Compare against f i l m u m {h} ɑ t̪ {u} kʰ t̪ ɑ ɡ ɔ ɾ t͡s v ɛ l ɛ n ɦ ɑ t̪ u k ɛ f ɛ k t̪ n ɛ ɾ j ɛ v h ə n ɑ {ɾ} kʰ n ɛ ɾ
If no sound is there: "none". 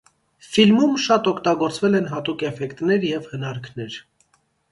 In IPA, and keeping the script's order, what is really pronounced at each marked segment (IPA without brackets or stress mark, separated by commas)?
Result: ʃ, ɔ, ɾ